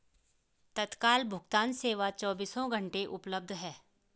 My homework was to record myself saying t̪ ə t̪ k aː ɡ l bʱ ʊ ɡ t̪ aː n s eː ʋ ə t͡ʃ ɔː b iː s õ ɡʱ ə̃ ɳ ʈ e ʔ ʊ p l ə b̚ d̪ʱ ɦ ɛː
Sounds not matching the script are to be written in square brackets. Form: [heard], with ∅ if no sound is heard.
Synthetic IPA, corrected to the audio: t̪ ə t̪ k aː [∅] l bʱ ʊ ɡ t̪ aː n s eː ʋ [a] t͡ʃ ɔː b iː s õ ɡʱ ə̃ ɳ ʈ e ʔ ʊ p l ə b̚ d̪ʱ ɦ ɛː